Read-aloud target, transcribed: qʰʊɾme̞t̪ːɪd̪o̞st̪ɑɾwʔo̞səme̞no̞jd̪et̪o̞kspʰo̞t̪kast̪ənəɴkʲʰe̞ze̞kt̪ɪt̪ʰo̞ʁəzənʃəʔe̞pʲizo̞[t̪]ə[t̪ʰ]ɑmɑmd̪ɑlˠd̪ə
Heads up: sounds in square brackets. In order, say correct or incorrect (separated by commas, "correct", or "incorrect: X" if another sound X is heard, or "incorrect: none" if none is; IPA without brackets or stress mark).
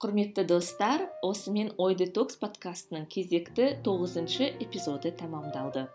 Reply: incorrect: d̪, correct